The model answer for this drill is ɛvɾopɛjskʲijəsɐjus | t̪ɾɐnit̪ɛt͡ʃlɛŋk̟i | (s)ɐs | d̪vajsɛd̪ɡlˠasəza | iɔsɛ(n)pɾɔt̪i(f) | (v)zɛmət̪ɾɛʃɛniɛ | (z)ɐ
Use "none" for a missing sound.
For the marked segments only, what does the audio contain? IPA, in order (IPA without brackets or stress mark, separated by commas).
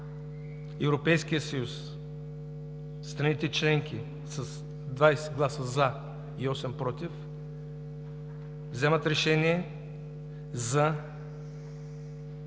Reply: s, m, f, v, z